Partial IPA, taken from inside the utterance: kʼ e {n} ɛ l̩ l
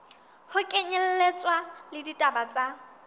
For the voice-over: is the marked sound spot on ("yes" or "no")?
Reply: no